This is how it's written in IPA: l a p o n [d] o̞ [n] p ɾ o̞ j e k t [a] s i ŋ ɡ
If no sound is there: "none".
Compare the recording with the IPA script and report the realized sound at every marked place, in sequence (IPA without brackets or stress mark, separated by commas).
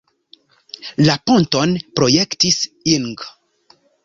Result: t, n, i